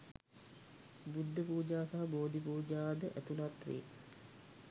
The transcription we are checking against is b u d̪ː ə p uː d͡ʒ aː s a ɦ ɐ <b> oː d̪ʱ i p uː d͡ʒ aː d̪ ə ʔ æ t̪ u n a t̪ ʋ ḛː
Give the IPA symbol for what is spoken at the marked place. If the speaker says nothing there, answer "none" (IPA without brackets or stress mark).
b